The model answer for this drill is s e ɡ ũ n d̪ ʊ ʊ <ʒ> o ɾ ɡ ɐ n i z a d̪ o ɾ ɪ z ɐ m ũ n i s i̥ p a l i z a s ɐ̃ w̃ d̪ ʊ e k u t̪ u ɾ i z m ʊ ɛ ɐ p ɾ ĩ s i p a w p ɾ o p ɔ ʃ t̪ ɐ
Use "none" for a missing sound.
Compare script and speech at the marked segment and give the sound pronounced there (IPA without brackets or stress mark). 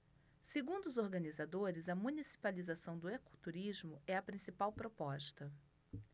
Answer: z